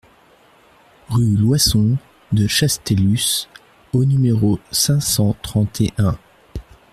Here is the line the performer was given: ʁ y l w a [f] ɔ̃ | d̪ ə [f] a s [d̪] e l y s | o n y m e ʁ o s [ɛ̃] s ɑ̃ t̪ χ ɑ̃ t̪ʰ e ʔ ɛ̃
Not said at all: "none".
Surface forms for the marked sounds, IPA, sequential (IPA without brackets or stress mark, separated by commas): s, ʃ, t̪, ɛ̃